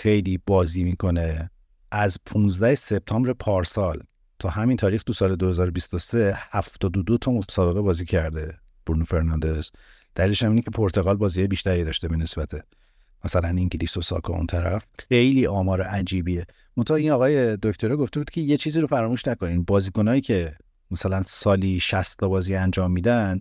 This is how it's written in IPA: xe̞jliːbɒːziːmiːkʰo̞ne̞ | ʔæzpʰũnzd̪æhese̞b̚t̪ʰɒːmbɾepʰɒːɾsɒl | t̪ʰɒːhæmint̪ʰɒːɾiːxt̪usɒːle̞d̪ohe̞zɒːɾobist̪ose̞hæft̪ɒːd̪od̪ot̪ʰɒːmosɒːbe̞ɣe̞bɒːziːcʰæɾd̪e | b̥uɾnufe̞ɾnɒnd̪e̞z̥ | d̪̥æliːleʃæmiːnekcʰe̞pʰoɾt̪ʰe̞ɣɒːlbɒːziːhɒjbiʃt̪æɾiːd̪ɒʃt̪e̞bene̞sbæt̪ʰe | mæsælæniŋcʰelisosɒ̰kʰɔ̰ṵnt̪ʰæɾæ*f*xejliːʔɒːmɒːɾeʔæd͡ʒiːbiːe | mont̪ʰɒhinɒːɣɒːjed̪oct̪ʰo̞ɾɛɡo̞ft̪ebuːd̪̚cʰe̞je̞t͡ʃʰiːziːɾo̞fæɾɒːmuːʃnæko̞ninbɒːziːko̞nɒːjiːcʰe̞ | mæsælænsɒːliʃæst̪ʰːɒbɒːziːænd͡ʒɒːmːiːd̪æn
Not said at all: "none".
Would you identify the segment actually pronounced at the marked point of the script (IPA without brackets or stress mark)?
f